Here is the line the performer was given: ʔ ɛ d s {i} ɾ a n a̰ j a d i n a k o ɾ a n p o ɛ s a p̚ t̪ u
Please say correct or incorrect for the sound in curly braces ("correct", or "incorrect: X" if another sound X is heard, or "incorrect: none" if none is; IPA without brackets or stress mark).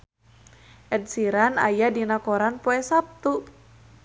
correct